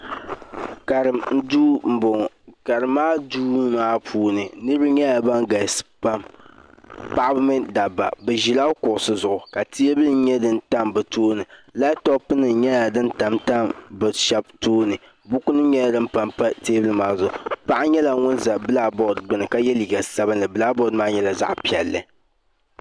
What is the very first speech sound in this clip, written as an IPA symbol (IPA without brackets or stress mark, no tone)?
k